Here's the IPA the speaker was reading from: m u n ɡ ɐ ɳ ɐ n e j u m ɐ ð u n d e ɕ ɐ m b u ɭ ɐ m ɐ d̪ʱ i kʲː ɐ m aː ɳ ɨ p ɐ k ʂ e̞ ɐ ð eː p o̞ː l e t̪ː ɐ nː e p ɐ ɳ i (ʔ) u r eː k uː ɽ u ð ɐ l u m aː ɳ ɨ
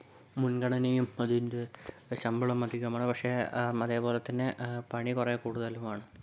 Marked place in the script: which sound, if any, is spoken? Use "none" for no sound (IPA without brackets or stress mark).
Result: k